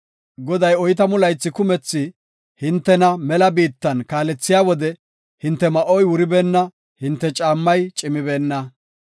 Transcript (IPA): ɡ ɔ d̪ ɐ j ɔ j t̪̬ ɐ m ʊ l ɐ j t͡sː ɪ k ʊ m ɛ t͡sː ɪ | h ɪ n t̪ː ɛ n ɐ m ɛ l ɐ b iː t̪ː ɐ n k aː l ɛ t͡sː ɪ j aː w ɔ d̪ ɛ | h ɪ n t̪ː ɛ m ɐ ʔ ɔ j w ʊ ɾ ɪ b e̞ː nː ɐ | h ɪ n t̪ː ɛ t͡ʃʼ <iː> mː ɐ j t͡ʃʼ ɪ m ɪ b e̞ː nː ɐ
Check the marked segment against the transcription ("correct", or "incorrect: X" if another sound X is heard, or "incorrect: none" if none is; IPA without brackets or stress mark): incorrect: aː